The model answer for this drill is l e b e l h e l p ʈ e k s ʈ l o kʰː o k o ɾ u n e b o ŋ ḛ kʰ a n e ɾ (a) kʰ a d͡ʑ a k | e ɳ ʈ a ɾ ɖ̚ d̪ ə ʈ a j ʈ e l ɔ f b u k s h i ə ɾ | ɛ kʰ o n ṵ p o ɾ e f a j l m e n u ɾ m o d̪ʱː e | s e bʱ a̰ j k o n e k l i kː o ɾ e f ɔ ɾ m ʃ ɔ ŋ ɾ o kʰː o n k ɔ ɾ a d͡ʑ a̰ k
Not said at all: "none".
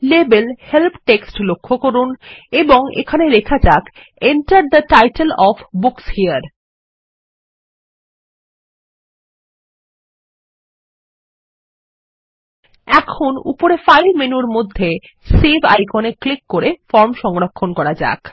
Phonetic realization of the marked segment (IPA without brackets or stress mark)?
e